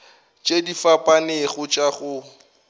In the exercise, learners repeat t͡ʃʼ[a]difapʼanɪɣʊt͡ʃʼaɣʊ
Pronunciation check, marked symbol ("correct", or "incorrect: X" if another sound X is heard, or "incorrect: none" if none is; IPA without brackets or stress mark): incorrect: e